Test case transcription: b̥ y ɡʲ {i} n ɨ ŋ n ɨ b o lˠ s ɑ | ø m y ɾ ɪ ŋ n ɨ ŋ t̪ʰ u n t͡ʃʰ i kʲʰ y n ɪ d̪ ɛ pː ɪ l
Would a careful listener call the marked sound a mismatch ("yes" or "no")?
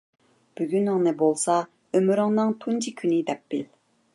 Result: yes